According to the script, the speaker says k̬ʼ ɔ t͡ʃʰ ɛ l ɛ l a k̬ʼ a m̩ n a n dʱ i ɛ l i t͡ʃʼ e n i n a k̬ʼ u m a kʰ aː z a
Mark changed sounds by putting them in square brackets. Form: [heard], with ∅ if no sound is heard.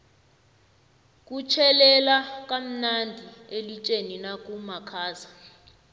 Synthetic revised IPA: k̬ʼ [u] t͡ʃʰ ɛ l ɛ l a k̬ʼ a m̩ n a n dʱ i [e] l i t͡ʃʼ e n i n a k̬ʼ u m a kʰ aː z a